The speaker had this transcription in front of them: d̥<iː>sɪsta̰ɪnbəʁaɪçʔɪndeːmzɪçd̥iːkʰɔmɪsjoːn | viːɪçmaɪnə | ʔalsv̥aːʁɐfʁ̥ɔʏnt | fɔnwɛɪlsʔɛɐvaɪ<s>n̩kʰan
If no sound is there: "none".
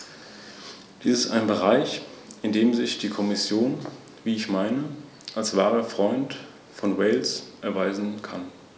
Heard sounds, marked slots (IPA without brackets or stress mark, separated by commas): iː, z